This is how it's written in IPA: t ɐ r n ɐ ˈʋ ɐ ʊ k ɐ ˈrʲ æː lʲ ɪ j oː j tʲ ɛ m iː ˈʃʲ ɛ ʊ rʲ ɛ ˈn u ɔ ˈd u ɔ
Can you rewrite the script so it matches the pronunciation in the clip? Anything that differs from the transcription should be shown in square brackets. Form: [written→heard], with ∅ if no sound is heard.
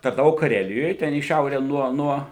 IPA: t ɐ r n ɐ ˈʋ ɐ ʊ k ɐ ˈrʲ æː lʲ ɪ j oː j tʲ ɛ [m→n] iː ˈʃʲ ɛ ʊ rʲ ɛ ˈn u ɔ [ˈd→ˈn] u ɔ